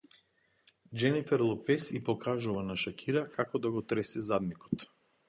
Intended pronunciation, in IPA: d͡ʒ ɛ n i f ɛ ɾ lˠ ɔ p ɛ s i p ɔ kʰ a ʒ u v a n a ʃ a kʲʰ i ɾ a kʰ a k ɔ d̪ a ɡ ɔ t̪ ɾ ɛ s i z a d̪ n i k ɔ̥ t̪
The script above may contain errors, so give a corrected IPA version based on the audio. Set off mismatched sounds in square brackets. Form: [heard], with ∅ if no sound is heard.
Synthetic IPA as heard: d͡ʒ ɛ n i f ɛ ɾ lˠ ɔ p ɛ s i p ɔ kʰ a ʒ u v a n a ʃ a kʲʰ i ɾ a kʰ a k ɔ d̪ a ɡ ɔ t̪ ɾ ɛ s i z a d̪ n i k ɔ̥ t̪